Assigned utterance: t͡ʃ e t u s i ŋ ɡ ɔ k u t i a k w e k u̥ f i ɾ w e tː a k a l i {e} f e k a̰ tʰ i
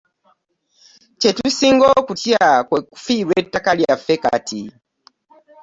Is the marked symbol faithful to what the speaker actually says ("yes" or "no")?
no